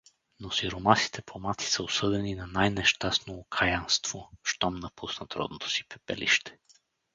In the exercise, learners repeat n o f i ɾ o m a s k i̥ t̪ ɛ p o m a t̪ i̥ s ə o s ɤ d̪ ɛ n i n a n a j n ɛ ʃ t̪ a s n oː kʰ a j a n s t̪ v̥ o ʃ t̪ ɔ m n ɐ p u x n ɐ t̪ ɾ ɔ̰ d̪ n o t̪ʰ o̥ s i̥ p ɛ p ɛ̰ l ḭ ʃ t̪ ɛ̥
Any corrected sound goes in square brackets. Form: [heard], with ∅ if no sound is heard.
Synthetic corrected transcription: n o [s] i ɾ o m a s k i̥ t̪ ɛ p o m a t̪ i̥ s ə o s ɤ d̪ ɛ n i n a n a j n ɛ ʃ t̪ a s n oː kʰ a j a n s t̪ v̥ o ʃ t̪ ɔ m n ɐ p u [s] n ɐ t̪ ɾ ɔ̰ d̪ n o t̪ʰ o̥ s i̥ p ɛ p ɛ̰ l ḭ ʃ t̪ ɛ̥